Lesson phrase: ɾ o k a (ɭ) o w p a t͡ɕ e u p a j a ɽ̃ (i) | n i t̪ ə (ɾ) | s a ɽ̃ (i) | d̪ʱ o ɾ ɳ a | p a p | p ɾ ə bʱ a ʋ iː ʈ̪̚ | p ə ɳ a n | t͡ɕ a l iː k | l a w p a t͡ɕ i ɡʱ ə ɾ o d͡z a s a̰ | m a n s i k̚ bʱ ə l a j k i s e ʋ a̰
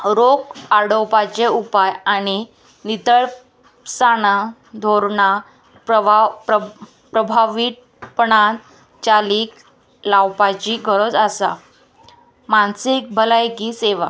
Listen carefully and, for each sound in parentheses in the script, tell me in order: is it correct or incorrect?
incorrect: ɽ, correct, incorrect: ɭ, incorrect: a

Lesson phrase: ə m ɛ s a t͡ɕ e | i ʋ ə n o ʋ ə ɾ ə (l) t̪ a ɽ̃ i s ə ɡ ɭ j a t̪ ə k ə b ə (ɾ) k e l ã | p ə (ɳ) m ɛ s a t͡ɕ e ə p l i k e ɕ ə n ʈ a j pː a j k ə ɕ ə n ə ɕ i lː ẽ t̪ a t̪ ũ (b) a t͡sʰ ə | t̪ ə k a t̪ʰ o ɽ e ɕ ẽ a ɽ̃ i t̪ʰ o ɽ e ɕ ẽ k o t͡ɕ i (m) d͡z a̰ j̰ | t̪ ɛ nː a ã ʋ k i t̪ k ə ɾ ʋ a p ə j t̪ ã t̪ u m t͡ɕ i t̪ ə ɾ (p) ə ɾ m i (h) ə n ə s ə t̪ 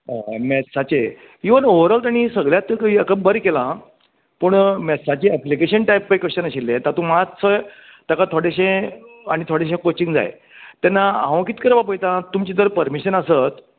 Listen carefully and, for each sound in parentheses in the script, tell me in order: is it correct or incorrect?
correct, correct, correct, incorrect: m, incorrect: ŋ, correct, incorrect: ɕ

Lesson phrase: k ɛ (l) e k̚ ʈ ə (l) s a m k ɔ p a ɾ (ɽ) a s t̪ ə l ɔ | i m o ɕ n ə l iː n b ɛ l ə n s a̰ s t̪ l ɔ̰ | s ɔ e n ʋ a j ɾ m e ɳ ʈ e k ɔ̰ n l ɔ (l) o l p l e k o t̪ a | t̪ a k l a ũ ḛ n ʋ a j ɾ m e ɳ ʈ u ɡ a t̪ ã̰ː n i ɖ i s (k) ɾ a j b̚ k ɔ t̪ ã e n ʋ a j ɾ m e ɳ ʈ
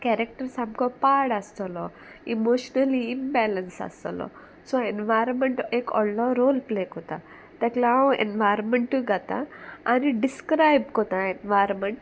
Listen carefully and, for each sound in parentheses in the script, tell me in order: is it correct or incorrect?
incorrect: ɾ, incorrect: ɾ, correct, incorrect: ɾ, correct

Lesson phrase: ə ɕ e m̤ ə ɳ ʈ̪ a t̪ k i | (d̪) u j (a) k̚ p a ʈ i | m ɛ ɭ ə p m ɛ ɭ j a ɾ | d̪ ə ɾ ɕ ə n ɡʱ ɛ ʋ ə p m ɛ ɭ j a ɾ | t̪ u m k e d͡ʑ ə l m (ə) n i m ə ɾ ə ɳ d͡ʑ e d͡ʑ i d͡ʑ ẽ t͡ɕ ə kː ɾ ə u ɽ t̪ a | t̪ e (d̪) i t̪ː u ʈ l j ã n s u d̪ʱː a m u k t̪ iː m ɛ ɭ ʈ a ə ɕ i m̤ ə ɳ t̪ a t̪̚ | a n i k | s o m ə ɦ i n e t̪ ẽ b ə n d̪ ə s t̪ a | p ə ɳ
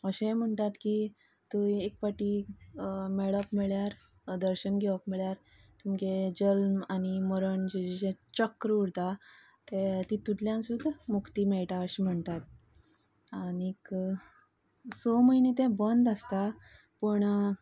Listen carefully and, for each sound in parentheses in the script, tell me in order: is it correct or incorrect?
incorrect: t̪, incorrect: e, incorrect: a, incorrect: t̪

